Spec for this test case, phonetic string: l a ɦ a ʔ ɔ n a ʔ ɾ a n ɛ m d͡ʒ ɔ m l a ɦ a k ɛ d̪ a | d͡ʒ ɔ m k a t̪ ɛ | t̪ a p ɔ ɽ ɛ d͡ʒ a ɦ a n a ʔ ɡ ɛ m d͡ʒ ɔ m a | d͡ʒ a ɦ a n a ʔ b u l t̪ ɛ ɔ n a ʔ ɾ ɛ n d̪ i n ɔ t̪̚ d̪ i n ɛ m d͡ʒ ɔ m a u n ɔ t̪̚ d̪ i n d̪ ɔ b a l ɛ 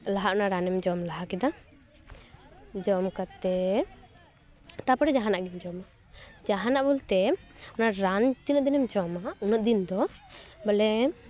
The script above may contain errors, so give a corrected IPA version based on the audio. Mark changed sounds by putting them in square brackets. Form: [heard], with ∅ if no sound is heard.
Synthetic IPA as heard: l a ɦ a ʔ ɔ n a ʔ ɾ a n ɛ m d͡ʒ ɔ m l a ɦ a k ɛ d̪ a | d͡ʒ ɔ m k a t̪ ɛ | t̪ a p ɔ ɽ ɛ d͡ʒ a ɦ a n a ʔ ɡ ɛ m d͡ʒ ɔ m a | d͡ʒ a ɦ a n a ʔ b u l t̪ ɛ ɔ n a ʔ ɾ [a] n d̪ i n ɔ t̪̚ d̪ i n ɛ m d͡ʒ ɔ m a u n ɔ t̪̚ d̪ i n d̪ ɔ b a l ɛ